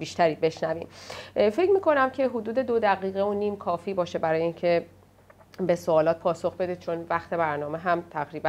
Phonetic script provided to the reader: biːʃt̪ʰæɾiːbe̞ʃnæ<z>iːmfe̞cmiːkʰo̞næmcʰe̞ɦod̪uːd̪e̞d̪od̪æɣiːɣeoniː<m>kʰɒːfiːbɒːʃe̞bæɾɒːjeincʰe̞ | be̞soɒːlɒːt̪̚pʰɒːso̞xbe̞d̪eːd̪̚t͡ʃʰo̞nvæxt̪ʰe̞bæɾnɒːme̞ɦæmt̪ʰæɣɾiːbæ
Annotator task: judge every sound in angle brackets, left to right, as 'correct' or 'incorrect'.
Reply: incorrect: v, correct

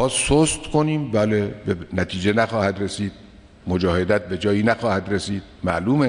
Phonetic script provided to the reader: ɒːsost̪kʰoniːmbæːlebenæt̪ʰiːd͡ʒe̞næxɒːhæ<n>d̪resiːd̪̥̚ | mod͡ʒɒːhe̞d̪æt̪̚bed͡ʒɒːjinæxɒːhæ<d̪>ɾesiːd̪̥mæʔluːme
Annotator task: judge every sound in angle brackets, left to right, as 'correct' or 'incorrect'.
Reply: incorrect: none, correct

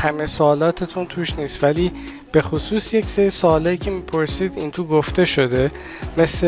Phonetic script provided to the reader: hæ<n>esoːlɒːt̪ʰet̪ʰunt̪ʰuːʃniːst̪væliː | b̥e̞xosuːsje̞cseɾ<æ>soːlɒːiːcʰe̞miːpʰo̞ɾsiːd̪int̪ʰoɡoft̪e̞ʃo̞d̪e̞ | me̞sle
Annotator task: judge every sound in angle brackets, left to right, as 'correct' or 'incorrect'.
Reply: incorrect: m, incorrect: i

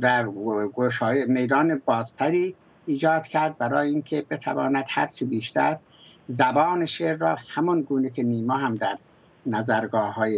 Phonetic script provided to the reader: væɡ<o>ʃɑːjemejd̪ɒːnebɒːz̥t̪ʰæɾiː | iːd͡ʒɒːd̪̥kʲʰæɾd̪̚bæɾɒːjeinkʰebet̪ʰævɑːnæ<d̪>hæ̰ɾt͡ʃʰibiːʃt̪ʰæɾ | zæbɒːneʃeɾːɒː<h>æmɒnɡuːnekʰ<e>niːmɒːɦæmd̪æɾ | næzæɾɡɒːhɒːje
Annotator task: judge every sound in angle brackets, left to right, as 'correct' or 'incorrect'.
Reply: correct, correct, correct, correct

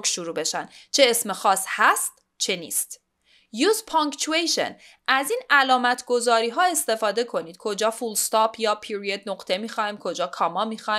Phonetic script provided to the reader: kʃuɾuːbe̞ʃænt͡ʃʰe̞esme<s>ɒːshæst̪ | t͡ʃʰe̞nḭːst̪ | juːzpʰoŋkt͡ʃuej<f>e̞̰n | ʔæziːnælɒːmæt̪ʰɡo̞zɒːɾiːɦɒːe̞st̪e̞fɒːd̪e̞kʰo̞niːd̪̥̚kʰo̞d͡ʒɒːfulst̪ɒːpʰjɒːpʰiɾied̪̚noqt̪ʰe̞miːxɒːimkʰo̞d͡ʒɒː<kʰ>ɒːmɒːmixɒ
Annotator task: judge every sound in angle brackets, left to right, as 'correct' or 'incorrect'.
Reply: incorrect: x, incorrect: ʃ, correct

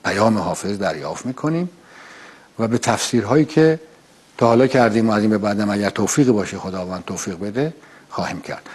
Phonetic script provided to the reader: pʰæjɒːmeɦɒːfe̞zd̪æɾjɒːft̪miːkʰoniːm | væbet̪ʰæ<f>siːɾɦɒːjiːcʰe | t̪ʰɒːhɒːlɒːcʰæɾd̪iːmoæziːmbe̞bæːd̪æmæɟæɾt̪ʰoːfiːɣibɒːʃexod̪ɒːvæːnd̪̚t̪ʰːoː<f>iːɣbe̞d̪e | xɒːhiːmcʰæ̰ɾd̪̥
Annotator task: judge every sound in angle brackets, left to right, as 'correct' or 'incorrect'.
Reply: correct, correct

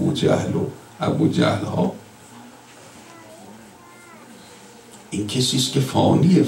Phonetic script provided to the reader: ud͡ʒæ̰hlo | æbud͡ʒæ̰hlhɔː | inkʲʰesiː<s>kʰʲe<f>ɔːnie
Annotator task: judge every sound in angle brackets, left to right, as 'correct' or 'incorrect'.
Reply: correct, correct

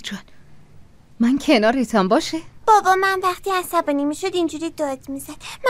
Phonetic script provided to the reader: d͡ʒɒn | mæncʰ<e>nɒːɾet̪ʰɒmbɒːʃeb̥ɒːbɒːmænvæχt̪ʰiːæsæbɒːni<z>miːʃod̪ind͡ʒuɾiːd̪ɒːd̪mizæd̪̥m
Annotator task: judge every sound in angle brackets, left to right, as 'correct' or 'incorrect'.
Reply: correct, incorrect: none

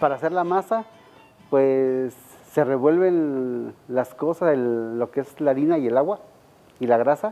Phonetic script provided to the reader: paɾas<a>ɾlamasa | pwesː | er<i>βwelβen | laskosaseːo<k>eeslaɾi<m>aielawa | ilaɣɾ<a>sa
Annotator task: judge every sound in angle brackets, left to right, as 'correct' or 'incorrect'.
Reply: incorrect: e, incorrect: e, correct, incorrect: n, correct

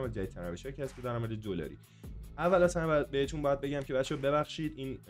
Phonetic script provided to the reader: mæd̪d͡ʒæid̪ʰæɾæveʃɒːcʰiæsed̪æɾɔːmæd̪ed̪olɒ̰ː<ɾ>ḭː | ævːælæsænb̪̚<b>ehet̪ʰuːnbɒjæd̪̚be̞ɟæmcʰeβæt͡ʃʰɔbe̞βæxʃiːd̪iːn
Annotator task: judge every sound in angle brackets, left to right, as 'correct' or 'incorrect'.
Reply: correct, correct

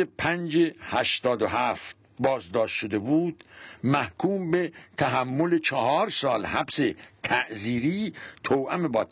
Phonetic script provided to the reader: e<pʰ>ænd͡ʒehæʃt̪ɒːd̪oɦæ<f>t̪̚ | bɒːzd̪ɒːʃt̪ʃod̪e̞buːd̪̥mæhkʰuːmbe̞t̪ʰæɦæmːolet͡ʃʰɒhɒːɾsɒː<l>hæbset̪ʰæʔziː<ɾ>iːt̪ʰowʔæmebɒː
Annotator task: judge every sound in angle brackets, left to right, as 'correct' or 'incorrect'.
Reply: correct, correct, correct, correct

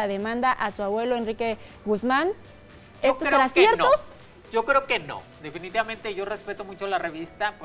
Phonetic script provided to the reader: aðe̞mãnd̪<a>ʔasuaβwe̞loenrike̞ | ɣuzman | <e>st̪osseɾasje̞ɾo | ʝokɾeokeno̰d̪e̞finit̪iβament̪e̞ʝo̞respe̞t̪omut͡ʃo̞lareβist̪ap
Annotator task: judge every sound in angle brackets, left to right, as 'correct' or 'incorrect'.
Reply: correct, correct

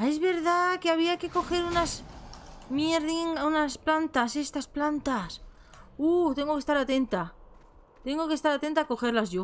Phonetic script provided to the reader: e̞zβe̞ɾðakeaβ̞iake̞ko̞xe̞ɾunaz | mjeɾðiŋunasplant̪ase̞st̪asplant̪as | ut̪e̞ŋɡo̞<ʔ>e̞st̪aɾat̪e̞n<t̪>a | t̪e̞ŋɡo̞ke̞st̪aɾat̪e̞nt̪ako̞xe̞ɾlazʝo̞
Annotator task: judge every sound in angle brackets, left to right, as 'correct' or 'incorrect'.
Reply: incorrect: k, correct

